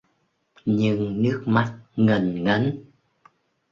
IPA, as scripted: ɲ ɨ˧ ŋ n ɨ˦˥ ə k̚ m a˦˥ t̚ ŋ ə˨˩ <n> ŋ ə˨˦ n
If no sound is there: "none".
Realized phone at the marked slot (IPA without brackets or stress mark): n